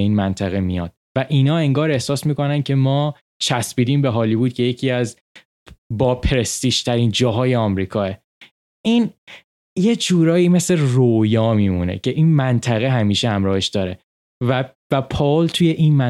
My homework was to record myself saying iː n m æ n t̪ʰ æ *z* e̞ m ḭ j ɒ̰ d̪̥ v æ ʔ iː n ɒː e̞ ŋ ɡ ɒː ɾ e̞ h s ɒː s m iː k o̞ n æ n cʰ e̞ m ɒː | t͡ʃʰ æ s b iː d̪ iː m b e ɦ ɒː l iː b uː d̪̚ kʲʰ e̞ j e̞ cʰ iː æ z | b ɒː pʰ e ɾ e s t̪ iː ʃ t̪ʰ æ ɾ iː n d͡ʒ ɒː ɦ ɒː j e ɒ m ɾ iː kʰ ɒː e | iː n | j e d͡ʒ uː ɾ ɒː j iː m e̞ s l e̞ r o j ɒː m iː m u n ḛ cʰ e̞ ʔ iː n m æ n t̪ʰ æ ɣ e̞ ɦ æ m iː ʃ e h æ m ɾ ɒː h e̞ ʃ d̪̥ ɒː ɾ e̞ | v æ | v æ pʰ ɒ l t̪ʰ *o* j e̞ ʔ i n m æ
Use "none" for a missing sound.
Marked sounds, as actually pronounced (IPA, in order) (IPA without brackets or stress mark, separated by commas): ɣ, u